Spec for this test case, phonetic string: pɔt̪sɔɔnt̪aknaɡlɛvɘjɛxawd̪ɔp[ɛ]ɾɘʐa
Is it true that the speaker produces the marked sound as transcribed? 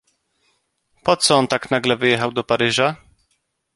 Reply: no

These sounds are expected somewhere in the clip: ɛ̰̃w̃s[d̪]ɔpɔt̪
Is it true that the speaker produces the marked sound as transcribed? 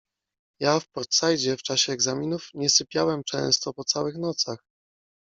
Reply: no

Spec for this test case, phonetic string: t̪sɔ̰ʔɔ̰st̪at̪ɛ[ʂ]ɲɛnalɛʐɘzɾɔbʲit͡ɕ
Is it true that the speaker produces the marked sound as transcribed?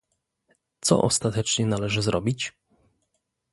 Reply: no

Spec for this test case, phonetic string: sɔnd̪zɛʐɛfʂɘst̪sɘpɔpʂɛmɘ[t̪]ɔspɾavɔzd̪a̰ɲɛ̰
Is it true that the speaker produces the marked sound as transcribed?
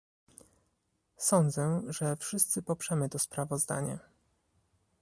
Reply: yes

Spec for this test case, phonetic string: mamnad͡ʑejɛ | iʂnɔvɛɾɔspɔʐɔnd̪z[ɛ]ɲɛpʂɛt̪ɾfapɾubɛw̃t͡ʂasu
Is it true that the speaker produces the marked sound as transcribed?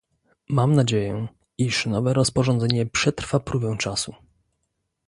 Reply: yes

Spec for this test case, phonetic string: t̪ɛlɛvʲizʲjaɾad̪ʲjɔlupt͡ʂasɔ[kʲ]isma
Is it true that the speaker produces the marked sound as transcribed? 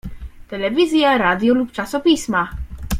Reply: no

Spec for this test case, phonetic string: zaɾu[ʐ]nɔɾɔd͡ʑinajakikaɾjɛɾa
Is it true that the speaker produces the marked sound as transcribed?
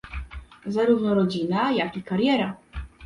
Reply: no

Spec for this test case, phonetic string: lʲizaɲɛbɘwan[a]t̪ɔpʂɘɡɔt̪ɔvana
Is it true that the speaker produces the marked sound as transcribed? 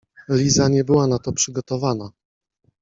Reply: yes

